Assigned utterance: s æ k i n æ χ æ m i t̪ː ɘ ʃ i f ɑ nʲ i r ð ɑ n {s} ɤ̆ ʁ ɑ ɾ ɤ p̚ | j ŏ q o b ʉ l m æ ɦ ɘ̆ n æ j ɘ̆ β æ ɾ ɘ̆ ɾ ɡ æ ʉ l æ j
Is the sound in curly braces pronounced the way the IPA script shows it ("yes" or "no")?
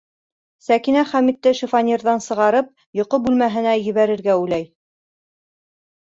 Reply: yes